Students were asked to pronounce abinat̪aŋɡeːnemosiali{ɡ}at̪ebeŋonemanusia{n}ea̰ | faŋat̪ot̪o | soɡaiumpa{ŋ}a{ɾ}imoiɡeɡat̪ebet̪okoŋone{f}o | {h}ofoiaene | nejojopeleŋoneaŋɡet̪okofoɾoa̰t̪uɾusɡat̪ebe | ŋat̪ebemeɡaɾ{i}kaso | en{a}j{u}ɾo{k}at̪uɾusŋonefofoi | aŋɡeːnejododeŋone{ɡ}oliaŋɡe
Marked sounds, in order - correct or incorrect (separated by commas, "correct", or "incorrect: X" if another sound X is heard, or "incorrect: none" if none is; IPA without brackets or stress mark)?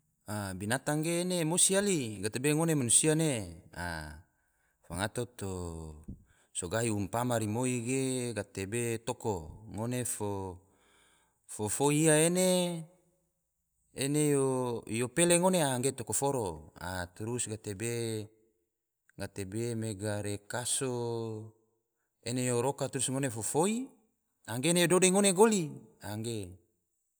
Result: correct, correct, incorrect: m, correct, correct, incorrect: f, incorrect: e, incorrect: e, incorrect: o, correct, correct